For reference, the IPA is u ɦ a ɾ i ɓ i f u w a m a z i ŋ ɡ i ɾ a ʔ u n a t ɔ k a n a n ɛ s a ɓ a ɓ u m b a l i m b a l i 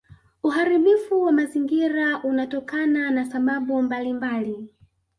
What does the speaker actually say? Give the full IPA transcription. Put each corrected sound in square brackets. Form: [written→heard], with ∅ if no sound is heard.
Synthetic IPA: u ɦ a ɾ i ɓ i f u w a m a z i ŋ ɡ i ɾ a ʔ u n a t ɔ k a n a n [ɛ→a] s a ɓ a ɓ u m b a l i m b a l i